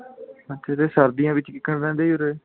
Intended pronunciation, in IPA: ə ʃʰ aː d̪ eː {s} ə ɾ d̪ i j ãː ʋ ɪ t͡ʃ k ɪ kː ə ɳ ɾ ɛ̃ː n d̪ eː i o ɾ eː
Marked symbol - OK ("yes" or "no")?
yes